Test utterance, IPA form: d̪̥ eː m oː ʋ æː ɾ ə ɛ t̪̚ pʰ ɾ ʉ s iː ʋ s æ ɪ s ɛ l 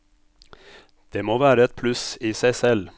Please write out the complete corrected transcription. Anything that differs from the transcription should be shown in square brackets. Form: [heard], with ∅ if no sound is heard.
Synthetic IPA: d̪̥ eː m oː ʋ æː ɾ ə ɛ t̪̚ pʰ [l] ʉ s iː [∅] s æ ɪ s ɛ l